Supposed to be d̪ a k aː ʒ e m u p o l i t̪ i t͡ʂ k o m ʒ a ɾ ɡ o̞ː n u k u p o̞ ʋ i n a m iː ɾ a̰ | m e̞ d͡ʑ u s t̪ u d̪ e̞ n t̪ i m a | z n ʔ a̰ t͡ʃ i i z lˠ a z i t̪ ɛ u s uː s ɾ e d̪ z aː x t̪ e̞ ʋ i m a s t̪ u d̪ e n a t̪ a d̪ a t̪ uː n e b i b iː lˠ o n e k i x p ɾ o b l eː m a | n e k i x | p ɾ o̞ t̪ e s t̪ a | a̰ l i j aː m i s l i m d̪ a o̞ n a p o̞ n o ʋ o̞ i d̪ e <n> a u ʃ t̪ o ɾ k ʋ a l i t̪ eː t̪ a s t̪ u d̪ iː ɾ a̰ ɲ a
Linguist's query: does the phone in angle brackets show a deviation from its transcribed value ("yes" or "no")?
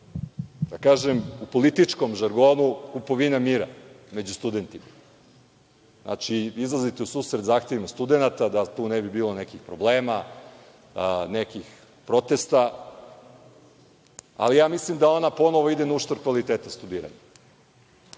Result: no